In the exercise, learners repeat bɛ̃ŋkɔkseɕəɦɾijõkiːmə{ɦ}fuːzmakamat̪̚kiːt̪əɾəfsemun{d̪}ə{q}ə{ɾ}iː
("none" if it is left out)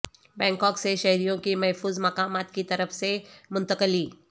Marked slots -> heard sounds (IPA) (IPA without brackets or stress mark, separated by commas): ɦ, t̪, k, l